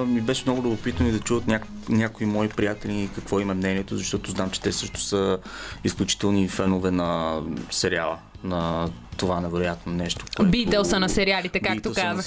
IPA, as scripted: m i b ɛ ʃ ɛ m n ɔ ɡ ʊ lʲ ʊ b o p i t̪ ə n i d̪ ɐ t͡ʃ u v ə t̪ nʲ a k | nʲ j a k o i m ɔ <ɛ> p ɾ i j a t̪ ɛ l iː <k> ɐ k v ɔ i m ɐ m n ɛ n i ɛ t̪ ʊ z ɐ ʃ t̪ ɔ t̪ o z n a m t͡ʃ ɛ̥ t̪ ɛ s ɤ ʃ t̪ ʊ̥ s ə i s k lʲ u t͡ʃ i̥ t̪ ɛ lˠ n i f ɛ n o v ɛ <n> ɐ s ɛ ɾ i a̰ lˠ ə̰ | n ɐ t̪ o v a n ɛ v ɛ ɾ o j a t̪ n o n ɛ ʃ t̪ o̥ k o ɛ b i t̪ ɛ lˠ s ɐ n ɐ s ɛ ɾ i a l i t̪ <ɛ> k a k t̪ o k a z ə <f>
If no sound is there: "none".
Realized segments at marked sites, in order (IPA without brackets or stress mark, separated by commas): i, k, n, ɛ, x